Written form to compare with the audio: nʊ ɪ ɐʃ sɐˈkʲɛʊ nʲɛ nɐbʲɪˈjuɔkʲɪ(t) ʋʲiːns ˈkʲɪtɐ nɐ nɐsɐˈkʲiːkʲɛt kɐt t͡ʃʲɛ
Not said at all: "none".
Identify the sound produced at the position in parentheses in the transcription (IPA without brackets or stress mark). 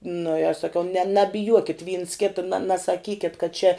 t